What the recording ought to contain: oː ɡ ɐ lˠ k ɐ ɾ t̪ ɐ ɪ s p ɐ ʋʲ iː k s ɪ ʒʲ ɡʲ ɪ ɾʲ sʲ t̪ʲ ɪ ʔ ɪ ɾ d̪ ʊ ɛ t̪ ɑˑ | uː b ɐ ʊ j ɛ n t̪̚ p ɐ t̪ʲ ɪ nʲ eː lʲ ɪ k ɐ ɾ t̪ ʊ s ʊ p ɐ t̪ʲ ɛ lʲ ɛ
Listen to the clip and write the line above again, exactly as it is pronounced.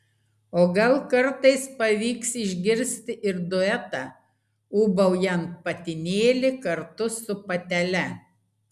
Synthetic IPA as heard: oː ɡ ɐ lˠ k ɐ ɾ t̪ ɐ ɪ s p ɐ ʋʲ iː k s ɪ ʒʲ ɡʲ ɪ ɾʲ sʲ t̪ʲ ɪ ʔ ɪ ɾ d̪ ʊ ɛ t̪ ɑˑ | uː b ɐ ʊ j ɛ n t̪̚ p ɐ t̪ʲ ɪ nʲ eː lʲ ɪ k ɐ ɾ t̪ ʊ s ʊ p ɐ t̪ʲ ɛ lʲ ɛ